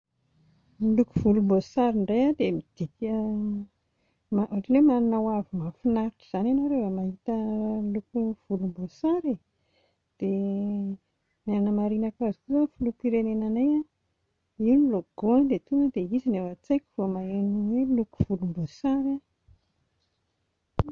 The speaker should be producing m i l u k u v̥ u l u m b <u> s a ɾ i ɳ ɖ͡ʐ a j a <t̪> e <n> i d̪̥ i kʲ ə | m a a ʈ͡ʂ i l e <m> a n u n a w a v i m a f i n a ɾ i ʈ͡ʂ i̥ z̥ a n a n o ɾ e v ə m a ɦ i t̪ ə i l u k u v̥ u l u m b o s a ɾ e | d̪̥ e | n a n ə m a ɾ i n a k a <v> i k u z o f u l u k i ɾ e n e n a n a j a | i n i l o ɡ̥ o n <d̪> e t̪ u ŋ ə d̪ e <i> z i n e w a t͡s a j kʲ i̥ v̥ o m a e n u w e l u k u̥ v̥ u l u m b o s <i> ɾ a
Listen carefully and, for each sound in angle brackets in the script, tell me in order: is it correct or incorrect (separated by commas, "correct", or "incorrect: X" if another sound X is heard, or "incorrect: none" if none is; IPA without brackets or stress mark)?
incorrect: o, incorrect: d̪, incorrect: m, correct, incorrect: z, correct, correct, incorrect: a